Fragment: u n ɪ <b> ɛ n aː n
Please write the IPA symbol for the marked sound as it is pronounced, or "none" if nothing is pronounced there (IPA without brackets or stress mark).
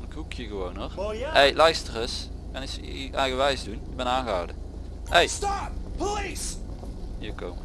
b